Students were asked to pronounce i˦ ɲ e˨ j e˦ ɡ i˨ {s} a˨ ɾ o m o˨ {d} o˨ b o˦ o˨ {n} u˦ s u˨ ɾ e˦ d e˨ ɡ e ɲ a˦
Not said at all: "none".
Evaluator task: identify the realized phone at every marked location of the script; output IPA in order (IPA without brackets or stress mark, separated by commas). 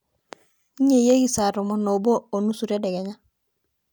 s, n, n